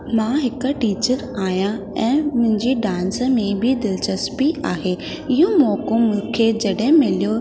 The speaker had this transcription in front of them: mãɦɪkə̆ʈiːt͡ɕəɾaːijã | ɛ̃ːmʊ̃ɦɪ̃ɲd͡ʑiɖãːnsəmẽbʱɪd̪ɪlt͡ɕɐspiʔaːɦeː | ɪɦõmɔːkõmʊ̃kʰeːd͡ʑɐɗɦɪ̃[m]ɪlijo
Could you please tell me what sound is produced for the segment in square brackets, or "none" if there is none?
m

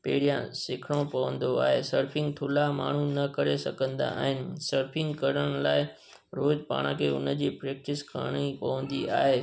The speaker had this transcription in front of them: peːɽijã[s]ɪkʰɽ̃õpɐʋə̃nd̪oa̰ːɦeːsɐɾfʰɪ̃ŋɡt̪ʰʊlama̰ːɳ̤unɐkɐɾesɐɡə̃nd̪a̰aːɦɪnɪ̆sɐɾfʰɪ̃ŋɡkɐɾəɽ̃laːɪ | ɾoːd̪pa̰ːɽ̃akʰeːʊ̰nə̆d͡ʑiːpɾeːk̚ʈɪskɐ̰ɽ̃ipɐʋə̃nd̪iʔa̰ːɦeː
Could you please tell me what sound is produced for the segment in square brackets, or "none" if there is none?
s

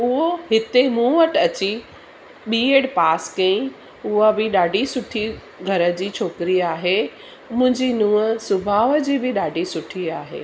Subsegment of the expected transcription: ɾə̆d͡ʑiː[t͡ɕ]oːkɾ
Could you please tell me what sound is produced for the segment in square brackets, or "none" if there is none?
t͡ɕʰ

